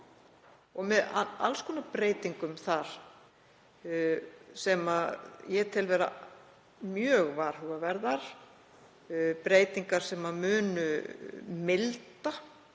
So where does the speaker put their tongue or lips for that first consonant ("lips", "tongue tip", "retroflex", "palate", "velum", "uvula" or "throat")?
velum